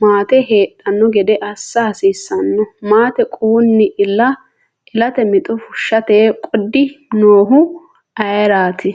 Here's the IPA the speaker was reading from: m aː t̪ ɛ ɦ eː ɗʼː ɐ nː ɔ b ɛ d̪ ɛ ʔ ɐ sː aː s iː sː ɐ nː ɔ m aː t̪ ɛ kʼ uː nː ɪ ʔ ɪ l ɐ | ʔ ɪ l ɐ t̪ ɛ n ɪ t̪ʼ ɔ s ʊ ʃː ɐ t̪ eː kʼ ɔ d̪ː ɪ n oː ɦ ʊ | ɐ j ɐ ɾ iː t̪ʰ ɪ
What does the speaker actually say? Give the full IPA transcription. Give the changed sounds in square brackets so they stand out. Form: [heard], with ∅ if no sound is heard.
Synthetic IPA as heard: m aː t̪ ɛ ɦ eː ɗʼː ɐ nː ɔ [ɡ] ɛ d̪ ɛ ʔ ɐ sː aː s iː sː ɐ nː ɔ m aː t̪ ɛ kʼ uː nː ɪ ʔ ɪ l ɐ | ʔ ɪ l ɐ t̪ ɛ [m] ɪ t̪ʼ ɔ [f] ʊ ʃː ɐ t̪ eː kʼ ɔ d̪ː ɪ n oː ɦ ʊ | ɐ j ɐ ɾ [aː] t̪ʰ ɪ

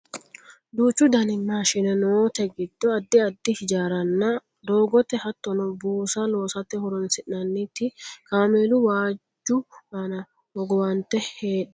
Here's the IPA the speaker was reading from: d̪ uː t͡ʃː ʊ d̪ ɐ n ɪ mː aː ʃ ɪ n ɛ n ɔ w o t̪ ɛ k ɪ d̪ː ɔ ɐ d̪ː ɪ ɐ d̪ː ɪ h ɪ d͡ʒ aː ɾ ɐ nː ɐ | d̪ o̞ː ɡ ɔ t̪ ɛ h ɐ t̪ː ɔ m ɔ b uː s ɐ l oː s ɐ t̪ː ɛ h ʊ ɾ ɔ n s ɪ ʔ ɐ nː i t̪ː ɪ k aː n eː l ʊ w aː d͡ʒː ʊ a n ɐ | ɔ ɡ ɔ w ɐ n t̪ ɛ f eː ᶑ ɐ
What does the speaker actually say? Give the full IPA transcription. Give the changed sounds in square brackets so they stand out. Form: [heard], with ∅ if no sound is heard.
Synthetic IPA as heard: d̪ uː t͡ʃː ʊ d̪ ɐ n ɪ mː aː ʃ ɪ n ɛ n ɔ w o t̪ ɛ [ɡ] ɪ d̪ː ɔ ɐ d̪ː ɪ ɐ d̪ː ɪ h ɪ d͡ʒ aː ɾ ɐ nː ɐ | d̪ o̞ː ɡ ɔ t̪ ɛ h ɐ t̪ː ɔ [n] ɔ b uː s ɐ l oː s ɐ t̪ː ɛ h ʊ ɾ ɔ n s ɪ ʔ ɐ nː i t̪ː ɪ k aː [m] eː l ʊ w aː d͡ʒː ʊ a n ɐ | ɔ ɡ ɔ w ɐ n t̪ ɛ [h] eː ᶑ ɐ

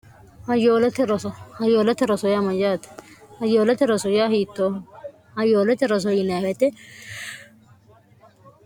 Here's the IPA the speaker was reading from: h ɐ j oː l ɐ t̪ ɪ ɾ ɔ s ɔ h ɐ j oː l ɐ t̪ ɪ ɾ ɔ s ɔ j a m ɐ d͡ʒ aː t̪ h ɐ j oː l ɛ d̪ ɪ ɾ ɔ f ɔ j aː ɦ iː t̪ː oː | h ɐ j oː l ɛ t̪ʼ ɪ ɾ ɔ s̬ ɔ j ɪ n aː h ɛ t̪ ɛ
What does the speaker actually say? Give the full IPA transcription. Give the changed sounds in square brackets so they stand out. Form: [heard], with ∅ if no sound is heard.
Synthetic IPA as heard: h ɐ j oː l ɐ t̪ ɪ ɾ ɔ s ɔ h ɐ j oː l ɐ t̪ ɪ ɾ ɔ s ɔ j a m ɐ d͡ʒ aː t̪ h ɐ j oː l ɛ [t̪] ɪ ɾ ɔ [s] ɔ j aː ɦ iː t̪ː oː | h ɐ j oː l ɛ [t̪] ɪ ɾ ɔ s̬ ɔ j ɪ n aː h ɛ t̪ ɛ

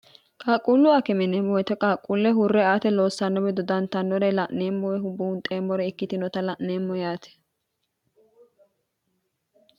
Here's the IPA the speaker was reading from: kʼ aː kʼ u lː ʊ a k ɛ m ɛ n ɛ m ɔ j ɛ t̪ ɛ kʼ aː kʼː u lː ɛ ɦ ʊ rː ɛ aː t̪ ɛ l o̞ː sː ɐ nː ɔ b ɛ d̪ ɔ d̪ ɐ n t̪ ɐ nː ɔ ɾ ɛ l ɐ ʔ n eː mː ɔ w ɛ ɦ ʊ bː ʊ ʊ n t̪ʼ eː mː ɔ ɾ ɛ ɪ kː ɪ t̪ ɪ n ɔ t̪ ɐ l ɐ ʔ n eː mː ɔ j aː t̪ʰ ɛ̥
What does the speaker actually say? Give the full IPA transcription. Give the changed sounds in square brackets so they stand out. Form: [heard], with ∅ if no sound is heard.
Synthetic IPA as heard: kʼ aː kʼ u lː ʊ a k ɛ m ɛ n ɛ m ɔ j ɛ t̪ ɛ kʼ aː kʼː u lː ɛ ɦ ʊ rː ɛ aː t̪ ɛ l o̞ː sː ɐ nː ɔ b ɛ d̪ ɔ d̪ ɐ n t̪ ɐ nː ɔ ɾ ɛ l ɐ ʔ n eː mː ɔ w ɛ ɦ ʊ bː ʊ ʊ n t̪ʼ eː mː ɔ ɾ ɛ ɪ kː ɪ t̪ ɪ n ɔ t̪ ɐ l ɐ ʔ n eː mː ɔ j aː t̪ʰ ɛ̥

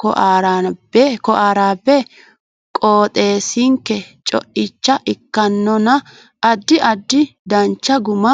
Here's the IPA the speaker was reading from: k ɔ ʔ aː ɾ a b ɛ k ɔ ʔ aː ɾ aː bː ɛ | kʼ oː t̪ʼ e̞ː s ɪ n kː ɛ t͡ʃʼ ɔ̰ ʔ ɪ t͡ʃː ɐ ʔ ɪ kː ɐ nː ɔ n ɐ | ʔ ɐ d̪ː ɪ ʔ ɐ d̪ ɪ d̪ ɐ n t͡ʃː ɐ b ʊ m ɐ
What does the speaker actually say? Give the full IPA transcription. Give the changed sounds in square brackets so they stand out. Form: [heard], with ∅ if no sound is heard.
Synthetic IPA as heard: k ɔ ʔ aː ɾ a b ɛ k ɔ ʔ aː ɾ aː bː ɛ | kʼ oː t̪ʼ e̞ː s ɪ [ŋ] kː ɛ t͡ʃʼ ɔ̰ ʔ ɪ t͡ʃː ɐ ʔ ɪ kː ɐ nː ɔ n ɐ | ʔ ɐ d̪ː ɪ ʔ ɐ [d̪ː] ɪ d̪ ɐ n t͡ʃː ɐ [ɡ] ʊ m ɐ

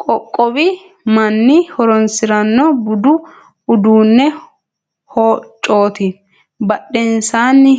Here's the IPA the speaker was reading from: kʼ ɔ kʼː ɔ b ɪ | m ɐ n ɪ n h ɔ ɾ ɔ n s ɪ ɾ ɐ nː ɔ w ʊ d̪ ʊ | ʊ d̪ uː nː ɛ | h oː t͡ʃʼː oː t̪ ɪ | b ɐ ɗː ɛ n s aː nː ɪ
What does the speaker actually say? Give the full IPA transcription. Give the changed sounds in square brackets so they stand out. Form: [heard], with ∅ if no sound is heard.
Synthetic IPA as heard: kʼ ɔ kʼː ɔ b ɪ | m ɐ [nː] ɪ [∅] h ɔ ɾ ɔ n s ɪ ɾ ɐ nː ɔ [b] ʊ d̪ ʊ | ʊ d̪ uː nː ɛ | h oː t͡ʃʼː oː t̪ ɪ | b ɐ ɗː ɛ n s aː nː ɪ

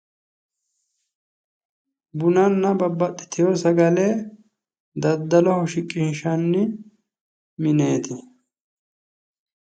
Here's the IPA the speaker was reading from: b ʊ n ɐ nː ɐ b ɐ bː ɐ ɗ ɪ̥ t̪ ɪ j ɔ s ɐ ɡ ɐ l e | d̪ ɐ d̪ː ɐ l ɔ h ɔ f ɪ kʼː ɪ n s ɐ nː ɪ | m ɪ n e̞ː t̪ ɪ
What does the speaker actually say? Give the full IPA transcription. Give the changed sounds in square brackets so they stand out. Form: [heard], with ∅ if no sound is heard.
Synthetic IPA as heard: b ʊ n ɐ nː ɐ b ɐ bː ɐ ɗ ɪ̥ t̪ ɪ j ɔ s ɐ ɡ ɐ l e | d̪ ɐ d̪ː ɐ l ɔ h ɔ [ʃ] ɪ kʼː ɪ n [ʃ] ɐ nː ɪ | m ɪ n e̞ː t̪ ɪ

